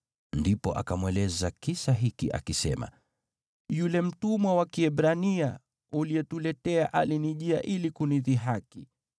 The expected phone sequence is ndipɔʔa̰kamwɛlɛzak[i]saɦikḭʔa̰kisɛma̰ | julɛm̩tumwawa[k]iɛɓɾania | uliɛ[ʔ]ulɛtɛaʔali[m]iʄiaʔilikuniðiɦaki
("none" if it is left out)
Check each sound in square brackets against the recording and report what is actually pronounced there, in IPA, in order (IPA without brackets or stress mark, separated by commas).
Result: i, k, t, n